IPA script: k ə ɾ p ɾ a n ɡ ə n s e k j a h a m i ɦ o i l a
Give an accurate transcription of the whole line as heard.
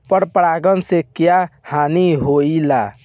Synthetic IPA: p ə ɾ p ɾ a ɡ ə n s e k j a h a n i ɦ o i l a

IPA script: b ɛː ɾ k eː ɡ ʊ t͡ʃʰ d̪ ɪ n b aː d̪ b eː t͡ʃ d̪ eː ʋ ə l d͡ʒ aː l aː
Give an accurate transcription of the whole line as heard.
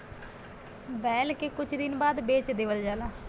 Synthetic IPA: b ɛː l k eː k ʊ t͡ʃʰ d̪ ɪ n b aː d̪ b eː t͡ʃ d̪ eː ʋ ə l d͡ʒ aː l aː

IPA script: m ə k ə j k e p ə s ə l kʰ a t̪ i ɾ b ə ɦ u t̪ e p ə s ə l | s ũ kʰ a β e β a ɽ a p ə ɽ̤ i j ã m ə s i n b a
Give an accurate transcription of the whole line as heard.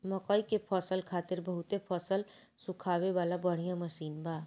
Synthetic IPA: m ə k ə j k e pʰ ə s ə l kʰ a t̪ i ɾ b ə ɦ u t̪ e pʰ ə s ə l | s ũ kʰ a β e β a l a b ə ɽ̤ i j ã m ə s i n b a

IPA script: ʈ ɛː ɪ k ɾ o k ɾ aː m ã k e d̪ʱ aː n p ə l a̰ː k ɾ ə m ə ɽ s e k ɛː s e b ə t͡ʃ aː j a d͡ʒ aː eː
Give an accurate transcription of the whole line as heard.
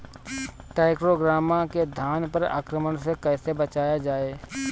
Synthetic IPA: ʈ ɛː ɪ k ɾ o ɡ ɾ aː m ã k e d̪ʱ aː n p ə ɾ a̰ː k ɾ ə m ə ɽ s e k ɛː s e b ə t͡ʃ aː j a d͡ʒ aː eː

